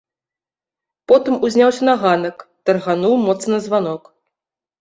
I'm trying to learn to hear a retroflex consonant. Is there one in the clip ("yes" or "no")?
no